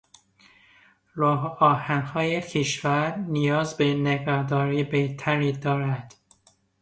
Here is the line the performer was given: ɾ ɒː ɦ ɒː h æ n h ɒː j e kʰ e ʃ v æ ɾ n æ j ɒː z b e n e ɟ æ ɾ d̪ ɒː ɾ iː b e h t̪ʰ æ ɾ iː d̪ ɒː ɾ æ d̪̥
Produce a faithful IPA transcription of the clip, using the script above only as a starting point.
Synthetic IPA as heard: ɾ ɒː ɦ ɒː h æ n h ɒː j e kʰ e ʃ v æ ɾ n i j ɒː z b e n e ɡ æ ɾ d̪ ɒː ɾ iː b e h t̪ʰ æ ɾ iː d̪ ɒː ɾ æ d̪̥